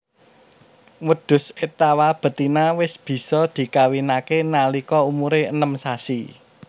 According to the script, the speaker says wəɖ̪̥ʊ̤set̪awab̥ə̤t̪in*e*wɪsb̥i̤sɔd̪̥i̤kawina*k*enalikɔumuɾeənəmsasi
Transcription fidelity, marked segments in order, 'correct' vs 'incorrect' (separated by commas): incorrect, correct